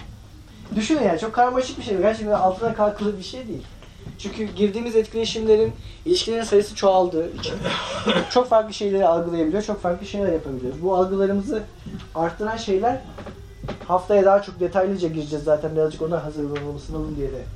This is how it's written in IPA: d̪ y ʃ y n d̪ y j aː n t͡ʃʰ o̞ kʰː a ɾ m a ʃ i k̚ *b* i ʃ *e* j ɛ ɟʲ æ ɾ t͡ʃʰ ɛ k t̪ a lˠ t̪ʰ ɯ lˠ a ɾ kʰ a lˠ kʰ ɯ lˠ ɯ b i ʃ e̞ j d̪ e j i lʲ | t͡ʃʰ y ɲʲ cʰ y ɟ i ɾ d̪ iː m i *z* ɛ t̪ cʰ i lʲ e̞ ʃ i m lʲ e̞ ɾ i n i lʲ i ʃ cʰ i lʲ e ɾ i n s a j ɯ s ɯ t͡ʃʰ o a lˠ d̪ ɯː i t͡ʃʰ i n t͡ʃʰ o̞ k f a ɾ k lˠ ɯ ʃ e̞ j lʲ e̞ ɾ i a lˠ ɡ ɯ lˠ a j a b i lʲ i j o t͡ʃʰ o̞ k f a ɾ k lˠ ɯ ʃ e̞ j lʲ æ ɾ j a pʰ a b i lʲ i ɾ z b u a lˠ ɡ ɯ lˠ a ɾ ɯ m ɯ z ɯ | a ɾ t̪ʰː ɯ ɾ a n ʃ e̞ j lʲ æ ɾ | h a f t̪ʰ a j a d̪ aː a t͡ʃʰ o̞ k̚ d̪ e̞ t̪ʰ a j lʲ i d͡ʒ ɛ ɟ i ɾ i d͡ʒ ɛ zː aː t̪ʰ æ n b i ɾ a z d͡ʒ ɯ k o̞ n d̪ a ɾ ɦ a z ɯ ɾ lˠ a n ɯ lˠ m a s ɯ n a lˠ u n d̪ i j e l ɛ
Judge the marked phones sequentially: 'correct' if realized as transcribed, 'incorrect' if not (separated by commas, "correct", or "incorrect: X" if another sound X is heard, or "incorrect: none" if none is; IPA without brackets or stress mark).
correct, correct, correct